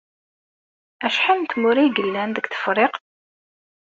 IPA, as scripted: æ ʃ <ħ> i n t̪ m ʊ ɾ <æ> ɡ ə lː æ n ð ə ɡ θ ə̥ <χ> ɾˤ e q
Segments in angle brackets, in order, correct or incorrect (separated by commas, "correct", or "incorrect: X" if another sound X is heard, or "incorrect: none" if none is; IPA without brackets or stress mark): correct, incorrect: i, incorrect: f